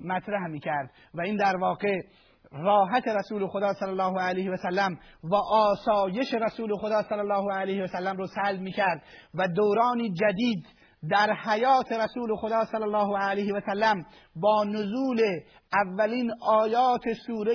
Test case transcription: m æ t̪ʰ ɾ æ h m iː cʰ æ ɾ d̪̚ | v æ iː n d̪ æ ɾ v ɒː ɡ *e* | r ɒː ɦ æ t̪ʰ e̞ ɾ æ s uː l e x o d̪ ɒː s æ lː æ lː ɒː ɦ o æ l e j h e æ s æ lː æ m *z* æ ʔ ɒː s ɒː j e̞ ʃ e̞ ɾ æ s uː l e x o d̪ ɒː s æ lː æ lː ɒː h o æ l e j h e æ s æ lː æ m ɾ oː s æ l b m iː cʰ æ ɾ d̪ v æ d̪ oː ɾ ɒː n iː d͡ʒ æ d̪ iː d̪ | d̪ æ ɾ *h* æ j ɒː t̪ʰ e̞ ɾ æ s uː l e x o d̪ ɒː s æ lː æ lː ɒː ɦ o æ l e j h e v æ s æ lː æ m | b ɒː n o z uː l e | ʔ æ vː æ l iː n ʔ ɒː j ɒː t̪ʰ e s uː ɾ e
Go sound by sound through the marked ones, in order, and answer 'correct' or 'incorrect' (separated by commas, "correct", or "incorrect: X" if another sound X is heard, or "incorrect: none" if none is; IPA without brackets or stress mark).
correct, incorrect: v, correct